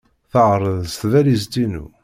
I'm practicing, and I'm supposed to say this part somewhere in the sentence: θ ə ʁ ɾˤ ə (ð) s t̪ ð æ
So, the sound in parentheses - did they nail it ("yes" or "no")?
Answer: yes